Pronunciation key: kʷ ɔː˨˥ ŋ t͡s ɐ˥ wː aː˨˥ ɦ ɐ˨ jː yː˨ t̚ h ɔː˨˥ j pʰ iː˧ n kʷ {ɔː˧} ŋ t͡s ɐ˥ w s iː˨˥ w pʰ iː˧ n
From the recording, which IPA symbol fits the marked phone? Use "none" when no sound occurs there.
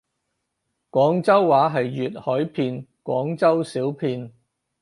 ɔː˨˥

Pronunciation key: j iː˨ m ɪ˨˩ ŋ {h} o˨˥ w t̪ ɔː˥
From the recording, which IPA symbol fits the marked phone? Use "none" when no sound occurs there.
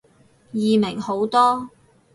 h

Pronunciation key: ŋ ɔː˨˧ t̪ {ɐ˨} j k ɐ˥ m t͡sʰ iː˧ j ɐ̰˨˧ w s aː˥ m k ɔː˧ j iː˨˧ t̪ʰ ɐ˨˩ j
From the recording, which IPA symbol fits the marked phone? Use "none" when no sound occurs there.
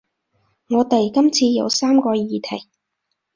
ɐ˨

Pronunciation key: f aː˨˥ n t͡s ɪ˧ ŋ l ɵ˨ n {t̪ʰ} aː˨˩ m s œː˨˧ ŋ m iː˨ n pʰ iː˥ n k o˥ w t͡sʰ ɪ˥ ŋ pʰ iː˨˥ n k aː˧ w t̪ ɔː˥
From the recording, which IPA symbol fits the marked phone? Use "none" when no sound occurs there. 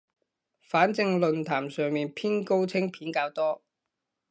t̪ʰ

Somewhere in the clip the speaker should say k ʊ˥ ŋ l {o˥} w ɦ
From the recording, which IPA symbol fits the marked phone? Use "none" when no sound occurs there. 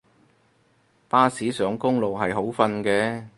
o˨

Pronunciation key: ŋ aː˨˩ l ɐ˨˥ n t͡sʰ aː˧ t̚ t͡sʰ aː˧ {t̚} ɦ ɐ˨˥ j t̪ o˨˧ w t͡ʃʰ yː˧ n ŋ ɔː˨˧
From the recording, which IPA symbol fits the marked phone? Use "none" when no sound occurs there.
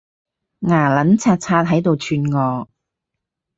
t̚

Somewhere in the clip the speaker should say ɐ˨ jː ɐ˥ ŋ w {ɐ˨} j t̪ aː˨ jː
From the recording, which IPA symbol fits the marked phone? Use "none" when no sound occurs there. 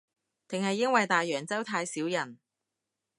ɐ˨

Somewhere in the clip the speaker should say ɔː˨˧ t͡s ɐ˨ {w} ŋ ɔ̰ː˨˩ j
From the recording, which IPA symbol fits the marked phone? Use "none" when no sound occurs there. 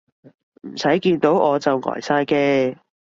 w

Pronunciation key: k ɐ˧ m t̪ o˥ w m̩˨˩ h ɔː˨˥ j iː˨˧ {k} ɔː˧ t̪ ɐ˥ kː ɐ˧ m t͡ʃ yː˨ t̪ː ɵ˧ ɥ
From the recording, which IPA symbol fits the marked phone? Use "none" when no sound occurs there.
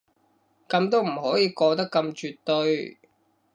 k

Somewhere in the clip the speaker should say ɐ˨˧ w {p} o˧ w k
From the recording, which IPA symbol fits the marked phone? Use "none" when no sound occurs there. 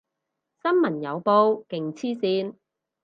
p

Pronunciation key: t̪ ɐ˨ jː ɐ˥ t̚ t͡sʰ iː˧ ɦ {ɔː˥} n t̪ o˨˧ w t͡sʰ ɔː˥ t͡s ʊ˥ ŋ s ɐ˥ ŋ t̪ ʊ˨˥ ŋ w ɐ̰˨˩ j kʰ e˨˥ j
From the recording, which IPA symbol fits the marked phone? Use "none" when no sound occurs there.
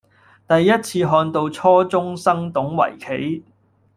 ɔː˧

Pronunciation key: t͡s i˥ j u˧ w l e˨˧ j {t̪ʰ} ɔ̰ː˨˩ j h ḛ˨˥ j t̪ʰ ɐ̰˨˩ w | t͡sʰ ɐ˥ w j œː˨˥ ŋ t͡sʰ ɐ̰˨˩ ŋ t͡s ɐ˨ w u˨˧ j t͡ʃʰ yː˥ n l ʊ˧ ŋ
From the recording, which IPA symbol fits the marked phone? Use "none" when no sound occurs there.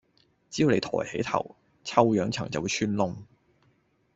t̪ʰ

